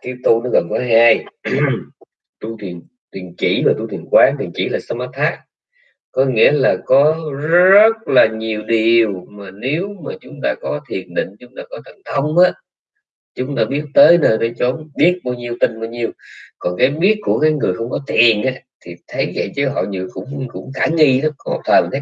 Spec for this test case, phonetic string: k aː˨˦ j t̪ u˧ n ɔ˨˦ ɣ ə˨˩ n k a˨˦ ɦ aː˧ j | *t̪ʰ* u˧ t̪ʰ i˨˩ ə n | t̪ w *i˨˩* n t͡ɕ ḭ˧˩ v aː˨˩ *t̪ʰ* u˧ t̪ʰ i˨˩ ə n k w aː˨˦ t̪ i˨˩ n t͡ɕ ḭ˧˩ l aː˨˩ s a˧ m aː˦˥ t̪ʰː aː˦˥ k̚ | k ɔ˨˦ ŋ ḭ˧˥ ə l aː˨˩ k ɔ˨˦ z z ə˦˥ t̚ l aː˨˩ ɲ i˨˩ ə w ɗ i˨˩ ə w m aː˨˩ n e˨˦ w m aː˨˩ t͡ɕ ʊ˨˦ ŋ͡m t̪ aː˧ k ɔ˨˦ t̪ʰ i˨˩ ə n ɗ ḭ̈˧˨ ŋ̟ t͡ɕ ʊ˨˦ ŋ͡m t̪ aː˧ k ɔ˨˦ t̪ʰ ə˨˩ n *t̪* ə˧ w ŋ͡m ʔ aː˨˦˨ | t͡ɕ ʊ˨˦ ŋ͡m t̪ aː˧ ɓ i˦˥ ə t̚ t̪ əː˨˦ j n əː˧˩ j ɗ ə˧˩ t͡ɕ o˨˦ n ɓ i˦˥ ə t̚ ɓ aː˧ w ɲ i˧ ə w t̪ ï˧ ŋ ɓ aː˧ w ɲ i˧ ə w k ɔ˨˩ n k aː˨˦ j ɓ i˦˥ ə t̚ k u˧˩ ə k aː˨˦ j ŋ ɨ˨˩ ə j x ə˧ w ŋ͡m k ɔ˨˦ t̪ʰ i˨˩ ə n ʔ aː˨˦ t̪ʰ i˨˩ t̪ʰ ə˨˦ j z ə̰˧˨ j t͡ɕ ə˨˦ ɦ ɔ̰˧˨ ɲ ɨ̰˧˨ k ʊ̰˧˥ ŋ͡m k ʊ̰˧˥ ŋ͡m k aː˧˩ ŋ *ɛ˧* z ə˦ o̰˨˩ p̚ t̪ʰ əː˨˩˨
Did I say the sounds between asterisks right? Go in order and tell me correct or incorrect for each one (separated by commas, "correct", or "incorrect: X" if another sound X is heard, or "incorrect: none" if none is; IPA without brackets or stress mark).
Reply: incorrect: t̪, correct, incorrect: t̪, incorrect: t̪ʰ, incorrect: i˧